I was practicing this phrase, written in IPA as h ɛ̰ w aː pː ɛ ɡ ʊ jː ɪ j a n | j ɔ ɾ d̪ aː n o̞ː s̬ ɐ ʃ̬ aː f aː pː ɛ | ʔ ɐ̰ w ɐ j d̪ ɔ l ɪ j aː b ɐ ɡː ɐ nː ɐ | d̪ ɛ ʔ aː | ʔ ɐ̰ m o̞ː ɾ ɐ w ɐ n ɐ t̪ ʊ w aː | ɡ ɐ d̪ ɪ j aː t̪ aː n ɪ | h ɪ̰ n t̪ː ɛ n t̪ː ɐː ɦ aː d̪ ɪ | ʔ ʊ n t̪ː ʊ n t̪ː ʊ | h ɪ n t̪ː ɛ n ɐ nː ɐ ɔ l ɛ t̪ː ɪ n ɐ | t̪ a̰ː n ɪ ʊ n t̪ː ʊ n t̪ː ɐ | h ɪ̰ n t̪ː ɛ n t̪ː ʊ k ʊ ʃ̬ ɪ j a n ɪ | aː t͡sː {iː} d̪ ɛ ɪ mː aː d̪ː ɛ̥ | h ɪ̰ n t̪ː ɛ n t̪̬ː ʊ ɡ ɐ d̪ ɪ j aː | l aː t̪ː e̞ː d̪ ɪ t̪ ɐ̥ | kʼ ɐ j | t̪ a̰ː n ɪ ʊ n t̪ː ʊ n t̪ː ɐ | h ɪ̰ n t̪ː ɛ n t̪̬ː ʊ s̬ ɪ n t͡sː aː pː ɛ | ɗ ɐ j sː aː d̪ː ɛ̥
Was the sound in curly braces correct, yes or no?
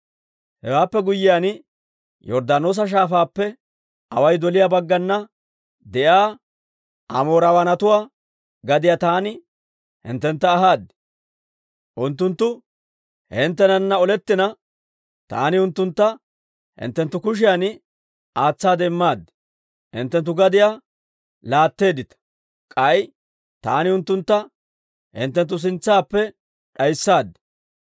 no